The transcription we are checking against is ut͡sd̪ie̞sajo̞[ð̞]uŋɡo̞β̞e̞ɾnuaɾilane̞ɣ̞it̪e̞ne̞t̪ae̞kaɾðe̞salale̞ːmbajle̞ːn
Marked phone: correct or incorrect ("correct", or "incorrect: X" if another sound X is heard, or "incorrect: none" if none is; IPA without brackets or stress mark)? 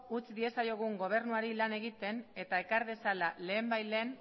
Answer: incorrect: ɣ̞